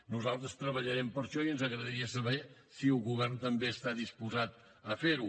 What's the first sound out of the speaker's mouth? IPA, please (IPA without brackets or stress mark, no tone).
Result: n